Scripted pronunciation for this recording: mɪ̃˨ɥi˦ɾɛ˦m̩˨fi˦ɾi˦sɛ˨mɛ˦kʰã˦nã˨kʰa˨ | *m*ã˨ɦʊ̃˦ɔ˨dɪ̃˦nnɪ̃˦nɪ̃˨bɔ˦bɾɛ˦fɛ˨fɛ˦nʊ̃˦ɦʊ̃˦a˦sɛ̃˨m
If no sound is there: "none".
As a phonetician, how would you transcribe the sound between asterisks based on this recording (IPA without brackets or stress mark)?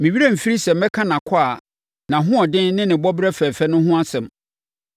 n